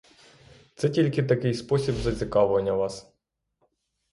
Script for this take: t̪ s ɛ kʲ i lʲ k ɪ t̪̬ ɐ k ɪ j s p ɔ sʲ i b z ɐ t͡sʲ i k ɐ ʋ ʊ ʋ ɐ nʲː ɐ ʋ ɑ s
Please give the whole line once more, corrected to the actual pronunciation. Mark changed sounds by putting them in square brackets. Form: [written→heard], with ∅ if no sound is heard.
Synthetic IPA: t̪ s ɛ [kʲ→tʲ] i lʲ k ɪ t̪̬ ɐ k ɪ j s p ɔ sʲ i b z ɐ t͡sʲ i k [ɐ→ɑ] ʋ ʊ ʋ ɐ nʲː ɐ ʋ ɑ s